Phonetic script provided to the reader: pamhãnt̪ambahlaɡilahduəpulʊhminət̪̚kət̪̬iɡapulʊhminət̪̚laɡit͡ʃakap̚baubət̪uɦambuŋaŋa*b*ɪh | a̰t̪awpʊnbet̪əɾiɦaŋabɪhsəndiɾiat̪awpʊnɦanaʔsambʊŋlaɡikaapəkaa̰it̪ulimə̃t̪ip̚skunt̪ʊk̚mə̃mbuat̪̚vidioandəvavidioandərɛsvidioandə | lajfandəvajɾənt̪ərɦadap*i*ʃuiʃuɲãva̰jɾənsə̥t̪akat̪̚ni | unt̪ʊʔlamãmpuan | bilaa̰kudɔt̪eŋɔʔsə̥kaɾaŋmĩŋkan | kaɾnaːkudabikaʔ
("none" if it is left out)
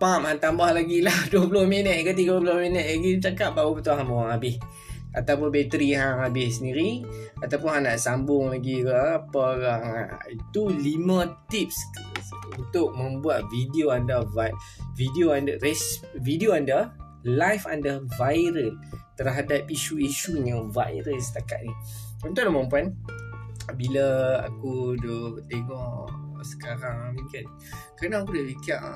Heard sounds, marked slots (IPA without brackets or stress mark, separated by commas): b, i